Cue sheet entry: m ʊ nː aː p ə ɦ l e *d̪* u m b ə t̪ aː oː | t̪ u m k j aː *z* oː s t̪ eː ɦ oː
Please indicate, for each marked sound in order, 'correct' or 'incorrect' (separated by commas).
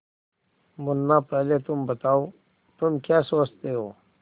incorrect, incorrect